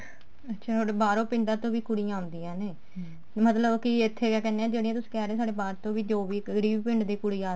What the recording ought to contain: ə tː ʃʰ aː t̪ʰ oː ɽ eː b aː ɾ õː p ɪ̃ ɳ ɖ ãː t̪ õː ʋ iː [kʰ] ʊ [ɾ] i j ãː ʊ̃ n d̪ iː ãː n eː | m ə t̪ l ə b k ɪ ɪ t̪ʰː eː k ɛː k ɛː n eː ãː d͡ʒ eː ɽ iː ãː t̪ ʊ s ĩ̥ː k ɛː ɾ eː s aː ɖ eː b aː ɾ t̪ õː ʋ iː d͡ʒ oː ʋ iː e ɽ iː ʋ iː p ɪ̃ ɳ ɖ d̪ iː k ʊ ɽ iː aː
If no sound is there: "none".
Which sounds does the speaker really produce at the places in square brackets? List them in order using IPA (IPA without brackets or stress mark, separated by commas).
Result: k, ɽ